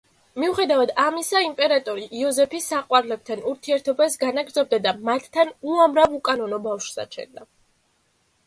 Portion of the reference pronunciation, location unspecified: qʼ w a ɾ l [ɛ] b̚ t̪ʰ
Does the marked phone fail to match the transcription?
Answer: no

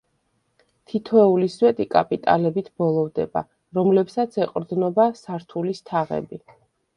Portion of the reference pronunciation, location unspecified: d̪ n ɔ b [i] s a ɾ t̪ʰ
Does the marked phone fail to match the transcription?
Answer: yes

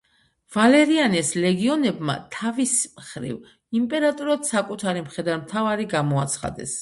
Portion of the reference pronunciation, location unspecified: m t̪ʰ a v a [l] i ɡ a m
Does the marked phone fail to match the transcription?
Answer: yes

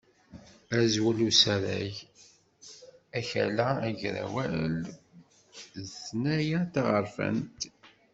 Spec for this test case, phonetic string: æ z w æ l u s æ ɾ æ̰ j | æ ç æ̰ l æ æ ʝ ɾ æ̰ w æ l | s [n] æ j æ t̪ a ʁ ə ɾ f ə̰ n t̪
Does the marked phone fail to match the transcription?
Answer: no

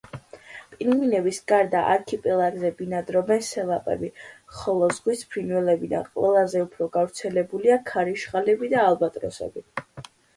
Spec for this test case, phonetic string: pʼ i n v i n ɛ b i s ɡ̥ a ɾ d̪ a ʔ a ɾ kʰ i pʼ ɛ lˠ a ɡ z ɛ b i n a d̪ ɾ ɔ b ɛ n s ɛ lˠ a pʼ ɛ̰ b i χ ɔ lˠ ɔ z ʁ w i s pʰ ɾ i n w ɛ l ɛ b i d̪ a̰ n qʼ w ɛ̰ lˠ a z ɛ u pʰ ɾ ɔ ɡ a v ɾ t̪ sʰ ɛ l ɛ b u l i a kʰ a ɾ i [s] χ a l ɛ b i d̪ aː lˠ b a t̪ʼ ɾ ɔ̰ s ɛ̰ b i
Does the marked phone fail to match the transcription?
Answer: yes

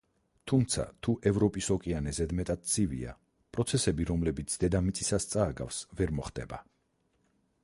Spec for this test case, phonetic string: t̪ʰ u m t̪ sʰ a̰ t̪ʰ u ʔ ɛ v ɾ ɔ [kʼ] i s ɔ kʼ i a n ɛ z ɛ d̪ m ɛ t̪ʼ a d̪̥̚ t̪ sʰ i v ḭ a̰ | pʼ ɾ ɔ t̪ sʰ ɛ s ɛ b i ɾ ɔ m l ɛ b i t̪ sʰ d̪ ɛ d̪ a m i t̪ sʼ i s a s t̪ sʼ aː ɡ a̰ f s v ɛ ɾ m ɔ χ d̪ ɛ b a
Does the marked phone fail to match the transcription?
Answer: yes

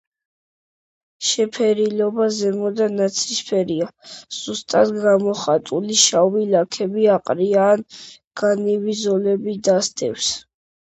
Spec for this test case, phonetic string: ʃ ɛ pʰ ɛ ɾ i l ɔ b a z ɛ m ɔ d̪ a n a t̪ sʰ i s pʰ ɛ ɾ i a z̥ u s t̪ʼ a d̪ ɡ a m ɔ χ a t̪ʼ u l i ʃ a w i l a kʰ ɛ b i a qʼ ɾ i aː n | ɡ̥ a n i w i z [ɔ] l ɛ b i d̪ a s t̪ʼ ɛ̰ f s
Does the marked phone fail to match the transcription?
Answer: no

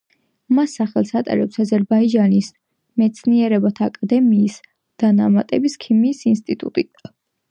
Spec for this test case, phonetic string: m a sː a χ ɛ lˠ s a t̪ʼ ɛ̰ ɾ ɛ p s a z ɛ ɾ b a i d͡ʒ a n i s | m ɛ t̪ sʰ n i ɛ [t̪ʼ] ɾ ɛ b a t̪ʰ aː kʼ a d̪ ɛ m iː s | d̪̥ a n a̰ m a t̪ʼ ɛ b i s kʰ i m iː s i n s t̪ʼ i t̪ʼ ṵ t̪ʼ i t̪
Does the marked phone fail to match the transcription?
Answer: yes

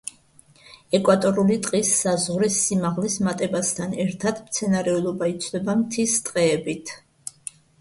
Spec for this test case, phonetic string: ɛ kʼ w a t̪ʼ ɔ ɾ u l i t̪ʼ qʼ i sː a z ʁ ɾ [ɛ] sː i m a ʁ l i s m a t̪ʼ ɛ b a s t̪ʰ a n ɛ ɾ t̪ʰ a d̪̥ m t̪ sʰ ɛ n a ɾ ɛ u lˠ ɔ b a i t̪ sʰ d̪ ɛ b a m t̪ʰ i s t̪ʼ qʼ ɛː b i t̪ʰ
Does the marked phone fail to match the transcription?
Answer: yes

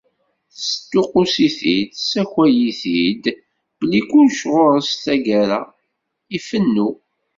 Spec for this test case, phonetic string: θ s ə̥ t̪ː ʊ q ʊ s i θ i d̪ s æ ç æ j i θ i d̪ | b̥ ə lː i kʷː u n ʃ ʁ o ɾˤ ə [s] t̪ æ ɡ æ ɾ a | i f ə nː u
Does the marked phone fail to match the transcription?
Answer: no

